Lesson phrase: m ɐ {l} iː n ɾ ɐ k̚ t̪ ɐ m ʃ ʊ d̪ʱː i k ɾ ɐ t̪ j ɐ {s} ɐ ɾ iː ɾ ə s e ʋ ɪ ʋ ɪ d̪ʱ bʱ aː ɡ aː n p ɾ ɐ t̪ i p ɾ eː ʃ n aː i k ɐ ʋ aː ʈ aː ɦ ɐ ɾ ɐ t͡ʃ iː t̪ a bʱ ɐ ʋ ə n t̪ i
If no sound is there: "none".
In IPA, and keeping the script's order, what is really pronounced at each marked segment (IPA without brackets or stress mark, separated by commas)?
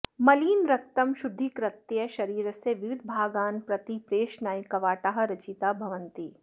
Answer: l, ʃ